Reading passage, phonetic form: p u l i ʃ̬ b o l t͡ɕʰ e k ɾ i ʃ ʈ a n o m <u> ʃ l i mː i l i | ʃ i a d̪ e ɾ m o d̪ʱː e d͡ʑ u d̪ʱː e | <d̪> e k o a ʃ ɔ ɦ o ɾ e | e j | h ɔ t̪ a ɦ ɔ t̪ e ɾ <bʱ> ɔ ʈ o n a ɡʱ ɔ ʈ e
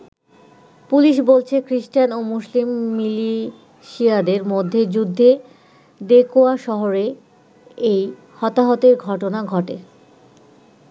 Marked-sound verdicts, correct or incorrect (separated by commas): correct, correct, incorrect